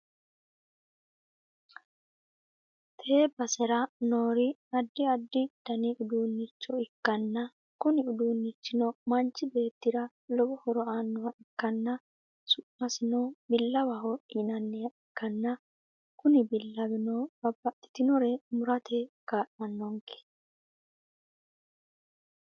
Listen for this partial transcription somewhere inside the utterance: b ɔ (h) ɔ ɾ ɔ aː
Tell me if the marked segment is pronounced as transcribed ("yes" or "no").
yes